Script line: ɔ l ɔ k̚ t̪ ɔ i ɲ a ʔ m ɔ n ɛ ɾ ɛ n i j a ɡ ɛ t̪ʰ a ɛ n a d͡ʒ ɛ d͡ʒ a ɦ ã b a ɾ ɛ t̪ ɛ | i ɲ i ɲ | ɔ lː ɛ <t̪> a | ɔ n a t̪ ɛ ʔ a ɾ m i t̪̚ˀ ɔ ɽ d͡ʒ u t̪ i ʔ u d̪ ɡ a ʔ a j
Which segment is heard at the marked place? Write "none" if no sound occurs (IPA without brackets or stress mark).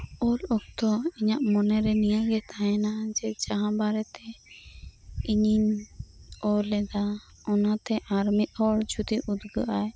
d̪